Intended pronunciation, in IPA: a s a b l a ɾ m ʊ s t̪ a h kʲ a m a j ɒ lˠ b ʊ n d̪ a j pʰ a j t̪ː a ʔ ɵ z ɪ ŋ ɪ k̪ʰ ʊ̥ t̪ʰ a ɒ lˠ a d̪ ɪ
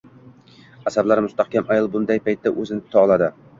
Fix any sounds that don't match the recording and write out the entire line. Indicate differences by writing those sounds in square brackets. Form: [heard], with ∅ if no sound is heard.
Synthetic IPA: a s a b l a ɾ m ʊ s t̪ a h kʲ a m a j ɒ lˠ b ʊ n d̪ a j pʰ a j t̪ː a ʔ ɵ z ɪ [n] ɪ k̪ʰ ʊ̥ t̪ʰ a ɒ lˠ a d̪ ɪ